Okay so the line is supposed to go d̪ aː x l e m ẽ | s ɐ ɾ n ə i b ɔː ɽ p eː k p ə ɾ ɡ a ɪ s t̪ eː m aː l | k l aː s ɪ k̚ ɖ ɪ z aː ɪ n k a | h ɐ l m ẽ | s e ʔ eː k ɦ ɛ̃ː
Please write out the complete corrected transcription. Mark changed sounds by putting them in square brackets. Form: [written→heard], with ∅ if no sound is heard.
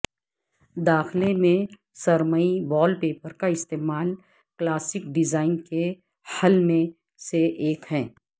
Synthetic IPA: d̪ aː x l e m ẽ | s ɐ ɾ [n→m] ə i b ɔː [ɽ→l] p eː [k→∅] p ə ɾ [ɡ→k] a ɪ s t̪ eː m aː l | k l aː s ɪ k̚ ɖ ɪ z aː ɪ n k [a→e] | h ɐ l m ẽ | s e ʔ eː k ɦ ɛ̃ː